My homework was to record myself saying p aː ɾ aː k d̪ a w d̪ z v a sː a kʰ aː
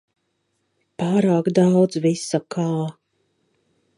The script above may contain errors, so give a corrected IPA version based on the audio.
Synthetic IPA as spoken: p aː ɾ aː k d̪ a w d̪ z v i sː a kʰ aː